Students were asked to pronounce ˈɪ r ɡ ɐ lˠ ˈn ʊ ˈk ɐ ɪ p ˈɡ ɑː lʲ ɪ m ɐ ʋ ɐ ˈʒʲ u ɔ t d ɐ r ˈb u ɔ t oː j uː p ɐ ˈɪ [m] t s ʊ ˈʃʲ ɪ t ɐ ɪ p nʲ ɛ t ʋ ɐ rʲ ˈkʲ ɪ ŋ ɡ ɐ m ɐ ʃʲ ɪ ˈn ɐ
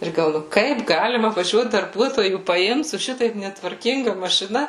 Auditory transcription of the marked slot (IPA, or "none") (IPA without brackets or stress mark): m